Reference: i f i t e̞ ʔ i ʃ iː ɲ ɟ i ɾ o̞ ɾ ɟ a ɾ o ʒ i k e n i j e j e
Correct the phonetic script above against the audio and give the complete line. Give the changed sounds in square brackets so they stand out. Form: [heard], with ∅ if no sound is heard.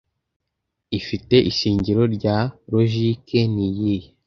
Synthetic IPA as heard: i f i t e̞ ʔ i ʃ iː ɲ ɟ i ɾ o̞ ɾ ɟ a ɾ o ʒ i k e n i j [i] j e